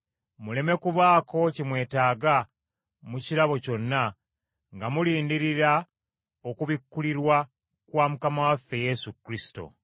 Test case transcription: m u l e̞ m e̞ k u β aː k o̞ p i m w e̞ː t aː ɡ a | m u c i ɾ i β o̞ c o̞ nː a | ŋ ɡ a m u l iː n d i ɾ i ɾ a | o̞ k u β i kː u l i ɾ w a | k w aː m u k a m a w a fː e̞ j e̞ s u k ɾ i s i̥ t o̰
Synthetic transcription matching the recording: m u l e̞ m e̞ k u β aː k o̞ c i m w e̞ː t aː ɡ a | m u c i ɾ a β o̞ c o̞ nː a | ŋ ɡ a m u l iː n d i ɾ i ɾ a | o̞ k u β i kː u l i ɾ w a | k w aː m u k a m a w a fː e̞ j e̞ s u k ɾ i s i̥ t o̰